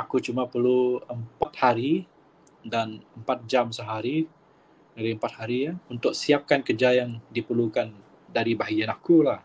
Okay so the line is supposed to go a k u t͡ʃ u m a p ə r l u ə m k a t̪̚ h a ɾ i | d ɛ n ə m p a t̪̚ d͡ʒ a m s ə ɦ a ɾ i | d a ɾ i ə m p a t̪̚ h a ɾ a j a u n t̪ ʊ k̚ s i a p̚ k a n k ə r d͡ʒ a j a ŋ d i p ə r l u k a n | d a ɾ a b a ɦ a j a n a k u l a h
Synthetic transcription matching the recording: a k u t͡ʃ u m a p ə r l u ə m p a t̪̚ h a ɾ i | d a n ə m p a t̪̚ d͡ʒ a m s ə ɦ a ɾ i | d a ɾ i ə m p a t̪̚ h a ɾ i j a u n t̪ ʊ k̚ s i a p̚ k a n k ə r d͡ʒ a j a ŋ d i p ə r l u k a n | d a ɾ i b a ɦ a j a n a k u l a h